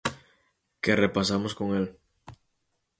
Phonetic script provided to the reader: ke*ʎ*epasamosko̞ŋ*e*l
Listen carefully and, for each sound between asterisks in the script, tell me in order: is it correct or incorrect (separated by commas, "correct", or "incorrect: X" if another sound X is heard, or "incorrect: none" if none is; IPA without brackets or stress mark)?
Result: incorrect: r, correct